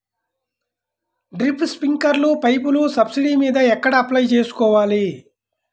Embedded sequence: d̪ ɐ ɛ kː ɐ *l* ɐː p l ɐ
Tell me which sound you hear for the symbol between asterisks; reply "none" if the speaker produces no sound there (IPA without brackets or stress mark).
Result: ɽ